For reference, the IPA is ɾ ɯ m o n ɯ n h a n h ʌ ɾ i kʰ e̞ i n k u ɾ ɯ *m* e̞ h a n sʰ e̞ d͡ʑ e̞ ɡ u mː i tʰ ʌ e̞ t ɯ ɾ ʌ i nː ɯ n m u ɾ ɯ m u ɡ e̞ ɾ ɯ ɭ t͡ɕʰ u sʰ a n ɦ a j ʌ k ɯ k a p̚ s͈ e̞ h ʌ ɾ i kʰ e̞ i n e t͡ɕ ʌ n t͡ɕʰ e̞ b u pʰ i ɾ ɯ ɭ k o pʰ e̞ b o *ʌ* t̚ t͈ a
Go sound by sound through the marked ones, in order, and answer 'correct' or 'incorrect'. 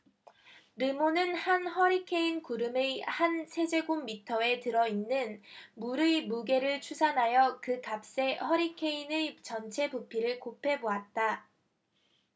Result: correct, incorrect

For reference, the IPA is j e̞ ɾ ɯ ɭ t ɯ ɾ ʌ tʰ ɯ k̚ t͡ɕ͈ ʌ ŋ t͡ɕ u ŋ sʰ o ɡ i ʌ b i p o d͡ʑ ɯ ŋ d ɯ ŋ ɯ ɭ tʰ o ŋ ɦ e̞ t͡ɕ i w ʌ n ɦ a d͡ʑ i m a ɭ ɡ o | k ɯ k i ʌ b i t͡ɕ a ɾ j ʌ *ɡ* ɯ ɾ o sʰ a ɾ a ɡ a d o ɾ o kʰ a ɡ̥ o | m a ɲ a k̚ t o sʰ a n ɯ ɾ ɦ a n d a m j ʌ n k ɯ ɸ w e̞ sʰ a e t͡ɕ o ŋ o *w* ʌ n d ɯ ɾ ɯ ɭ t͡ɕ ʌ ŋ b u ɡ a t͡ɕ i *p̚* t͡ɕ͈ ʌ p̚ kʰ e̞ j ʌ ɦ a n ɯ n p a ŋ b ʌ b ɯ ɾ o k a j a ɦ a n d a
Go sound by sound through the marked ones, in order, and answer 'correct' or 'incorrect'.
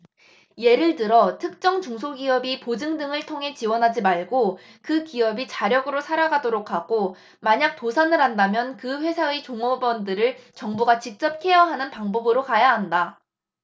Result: correct, incorrect, incorrect

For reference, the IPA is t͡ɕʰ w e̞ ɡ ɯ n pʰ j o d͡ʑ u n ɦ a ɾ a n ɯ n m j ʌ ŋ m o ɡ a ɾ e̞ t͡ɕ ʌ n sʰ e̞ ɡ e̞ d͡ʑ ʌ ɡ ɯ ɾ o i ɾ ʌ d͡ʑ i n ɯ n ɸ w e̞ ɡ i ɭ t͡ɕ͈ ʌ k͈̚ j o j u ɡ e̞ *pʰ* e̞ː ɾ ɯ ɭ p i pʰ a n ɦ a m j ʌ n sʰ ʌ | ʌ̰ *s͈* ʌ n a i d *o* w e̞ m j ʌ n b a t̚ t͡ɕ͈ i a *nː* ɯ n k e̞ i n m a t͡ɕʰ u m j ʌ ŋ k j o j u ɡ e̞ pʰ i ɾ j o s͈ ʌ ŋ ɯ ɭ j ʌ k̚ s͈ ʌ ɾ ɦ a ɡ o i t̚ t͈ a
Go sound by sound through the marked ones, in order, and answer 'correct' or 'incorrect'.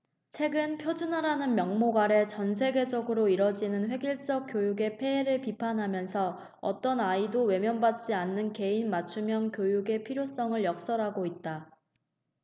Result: correct, incorrect, correct, correct

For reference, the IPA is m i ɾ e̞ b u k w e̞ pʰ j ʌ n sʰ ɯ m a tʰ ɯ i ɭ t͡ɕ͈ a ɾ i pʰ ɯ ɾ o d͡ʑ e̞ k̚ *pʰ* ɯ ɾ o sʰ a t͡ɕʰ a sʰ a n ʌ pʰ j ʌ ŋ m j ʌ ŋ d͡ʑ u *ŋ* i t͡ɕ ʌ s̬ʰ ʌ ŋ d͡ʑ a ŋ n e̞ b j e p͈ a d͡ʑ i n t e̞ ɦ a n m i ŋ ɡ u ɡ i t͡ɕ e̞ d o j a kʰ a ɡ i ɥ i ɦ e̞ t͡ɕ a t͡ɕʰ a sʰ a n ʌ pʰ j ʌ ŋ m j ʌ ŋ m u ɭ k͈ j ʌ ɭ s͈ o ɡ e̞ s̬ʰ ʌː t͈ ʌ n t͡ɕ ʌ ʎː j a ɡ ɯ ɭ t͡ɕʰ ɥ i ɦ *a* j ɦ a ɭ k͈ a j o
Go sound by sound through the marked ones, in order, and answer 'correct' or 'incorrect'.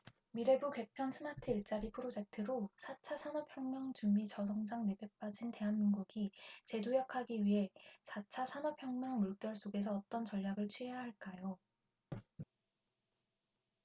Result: incorrect, incorrect, incorrect

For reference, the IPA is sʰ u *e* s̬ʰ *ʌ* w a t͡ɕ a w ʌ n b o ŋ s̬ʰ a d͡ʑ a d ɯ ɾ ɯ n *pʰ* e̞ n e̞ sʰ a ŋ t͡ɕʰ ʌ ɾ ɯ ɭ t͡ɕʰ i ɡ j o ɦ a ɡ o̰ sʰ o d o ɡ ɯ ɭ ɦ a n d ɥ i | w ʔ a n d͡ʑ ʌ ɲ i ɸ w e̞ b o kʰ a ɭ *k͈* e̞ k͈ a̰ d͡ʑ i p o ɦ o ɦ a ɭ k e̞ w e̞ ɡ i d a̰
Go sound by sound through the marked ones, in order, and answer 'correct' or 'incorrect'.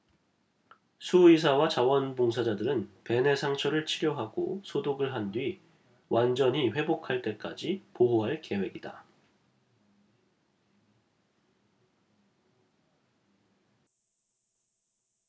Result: incorrect, incorrect, incorrect, incorrect

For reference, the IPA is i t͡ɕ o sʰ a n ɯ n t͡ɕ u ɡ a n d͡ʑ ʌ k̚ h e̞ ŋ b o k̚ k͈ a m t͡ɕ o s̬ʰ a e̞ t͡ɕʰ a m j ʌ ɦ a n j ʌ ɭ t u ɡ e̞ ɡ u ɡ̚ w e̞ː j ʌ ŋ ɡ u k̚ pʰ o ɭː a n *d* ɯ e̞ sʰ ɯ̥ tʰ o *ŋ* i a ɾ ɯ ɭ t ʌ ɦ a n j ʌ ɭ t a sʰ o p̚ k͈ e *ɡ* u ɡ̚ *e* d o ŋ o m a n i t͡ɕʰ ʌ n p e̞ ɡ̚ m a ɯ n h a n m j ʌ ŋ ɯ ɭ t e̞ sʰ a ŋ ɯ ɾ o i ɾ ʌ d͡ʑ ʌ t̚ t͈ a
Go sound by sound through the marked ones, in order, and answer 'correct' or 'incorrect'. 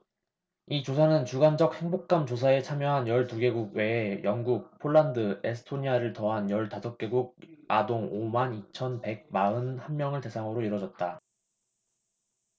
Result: correct, incorrect, correct, incorrect

